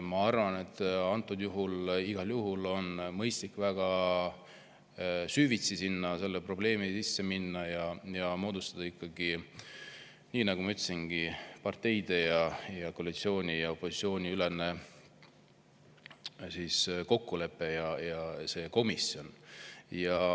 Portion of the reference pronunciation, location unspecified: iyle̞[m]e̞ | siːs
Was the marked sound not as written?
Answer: yes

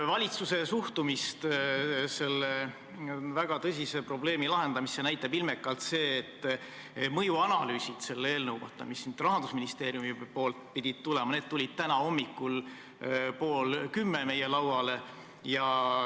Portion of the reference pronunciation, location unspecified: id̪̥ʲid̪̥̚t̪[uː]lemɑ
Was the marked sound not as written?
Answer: yes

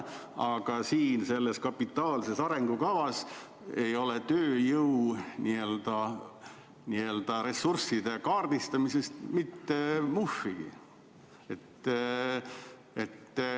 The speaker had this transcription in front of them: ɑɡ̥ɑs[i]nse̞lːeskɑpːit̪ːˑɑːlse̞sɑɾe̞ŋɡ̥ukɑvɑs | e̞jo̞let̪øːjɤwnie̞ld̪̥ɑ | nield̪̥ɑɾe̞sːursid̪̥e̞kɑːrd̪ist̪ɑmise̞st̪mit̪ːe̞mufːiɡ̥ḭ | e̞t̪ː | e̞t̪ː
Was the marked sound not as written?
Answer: yes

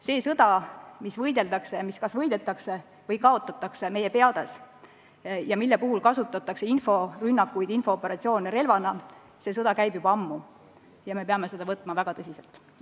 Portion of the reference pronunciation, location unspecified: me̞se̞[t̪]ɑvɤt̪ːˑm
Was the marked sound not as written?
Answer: yes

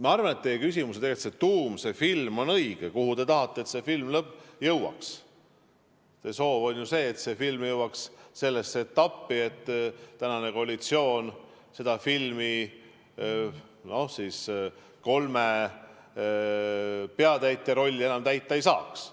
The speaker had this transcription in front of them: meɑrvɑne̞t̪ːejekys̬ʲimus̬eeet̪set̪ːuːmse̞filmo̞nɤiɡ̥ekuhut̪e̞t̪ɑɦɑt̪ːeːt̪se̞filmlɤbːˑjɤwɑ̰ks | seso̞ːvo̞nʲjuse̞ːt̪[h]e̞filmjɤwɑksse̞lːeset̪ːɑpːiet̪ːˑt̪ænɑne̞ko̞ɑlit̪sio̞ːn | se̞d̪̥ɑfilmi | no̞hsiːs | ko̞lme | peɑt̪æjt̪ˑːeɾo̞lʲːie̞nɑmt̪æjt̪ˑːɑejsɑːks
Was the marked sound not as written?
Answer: yes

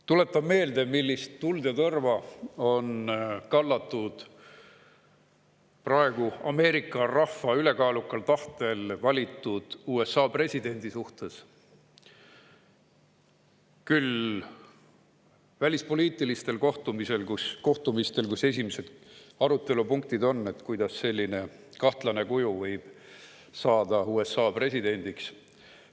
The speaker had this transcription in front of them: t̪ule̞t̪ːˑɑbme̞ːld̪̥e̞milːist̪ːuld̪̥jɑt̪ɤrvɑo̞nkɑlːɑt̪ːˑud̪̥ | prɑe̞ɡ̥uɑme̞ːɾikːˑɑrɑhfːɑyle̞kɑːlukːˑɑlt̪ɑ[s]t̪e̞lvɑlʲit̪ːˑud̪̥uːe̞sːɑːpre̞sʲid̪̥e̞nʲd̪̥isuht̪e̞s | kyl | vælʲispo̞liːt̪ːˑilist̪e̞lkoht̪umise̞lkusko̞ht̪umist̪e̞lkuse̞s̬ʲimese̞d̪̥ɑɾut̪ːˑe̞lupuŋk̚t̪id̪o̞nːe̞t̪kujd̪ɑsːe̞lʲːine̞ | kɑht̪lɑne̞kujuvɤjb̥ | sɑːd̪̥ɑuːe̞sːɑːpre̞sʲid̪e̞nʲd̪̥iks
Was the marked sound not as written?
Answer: yes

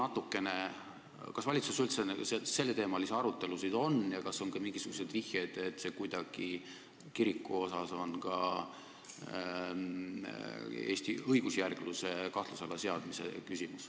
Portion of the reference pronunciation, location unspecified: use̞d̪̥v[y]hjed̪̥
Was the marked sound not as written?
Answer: yes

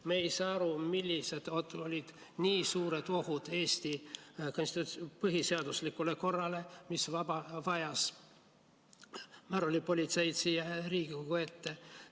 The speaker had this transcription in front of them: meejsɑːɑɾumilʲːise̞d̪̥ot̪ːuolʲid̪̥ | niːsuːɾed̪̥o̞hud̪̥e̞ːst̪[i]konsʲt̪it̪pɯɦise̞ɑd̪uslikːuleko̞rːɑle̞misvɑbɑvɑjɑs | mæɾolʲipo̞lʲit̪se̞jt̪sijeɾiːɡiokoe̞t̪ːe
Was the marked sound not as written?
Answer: no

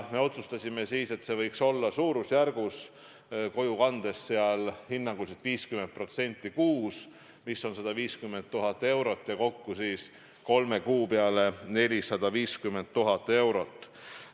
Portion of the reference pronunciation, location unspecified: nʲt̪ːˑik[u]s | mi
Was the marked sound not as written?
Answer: yes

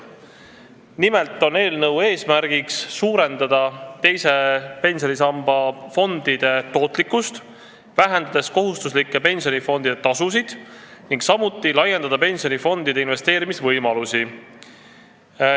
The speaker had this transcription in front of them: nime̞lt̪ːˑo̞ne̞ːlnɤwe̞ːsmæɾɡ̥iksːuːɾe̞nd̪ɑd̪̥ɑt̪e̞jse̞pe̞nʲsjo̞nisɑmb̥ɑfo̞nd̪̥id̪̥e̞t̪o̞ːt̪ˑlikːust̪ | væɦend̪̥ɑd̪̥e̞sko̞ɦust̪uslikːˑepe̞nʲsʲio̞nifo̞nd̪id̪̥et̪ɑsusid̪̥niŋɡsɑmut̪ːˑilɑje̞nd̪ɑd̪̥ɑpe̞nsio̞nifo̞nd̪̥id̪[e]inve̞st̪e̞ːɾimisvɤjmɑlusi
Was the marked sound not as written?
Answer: no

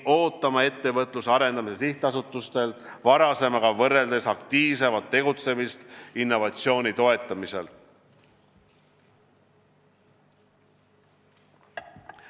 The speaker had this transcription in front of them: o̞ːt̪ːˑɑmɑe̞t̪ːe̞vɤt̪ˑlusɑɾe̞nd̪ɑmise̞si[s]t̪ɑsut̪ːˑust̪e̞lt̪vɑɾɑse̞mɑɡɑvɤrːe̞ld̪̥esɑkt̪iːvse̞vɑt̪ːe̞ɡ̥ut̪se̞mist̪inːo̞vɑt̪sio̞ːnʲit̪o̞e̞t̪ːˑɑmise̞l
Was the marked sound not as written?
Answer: yes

